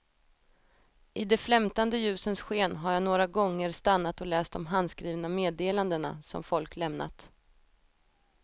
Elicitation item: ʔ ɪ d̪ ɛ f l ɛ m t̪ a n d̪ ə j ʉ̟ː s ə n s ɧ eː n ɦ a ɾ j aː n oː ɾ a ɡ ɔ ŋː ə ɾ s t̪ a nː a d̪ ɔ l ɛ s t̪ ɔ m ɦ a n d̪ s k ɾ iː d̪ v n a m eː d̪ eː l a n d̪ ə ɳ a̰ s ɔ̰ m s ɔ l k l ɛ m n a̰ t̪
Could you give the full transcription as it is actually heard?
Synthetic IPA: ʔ ɪ d̪ ɛ f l ɛ m t̪ a n d̪ ə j ʉ̟ː s ə n s ɧ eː n ɦ a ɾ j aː n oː ɾ a ɡ ɔ ŋː ə ɾ s t̪ a nː a t̪ ɔ l ɛː s t̪ ɔ m ɦ a n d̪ s k ɾ iː v n a m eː d̪ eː l a n d̪ ə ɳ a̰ s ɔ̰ m f ɔ l k l ɛ m n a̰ t̪